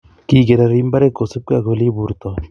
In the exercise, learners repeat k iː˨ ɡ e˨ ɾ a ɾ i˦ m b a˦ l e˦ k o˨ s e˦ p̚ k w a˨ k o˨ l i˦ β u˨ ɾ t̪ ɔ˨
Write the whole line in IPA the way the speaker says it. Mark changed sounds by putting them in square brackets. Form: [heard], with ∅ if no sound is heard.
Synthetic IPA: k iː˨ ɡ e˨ ɾ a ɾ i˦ m b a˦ [ɾ] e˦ k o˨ s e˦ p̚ k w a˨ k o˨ l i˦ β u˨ ɾ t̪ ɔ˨